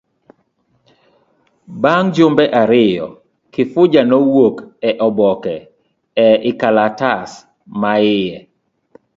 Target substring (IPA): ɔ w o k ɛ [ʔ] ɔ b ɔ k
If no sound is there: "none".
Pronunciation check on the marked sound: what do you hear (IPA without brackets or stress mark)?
ʔ